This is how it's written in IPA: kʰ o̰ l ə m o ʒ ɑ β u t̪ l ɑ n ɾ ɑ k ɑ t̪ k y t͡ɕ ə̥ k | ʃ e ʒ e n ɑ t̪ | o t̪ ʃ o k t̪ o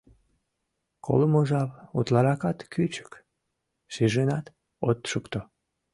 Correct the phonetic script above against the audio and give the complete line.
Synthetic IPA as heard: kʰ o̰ l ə m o ʒ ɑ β u t̪ l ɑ ɾ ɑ k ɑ t̪ k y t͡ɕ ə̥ k | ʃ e ʒ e n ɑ t̪ | o t̪ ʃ u k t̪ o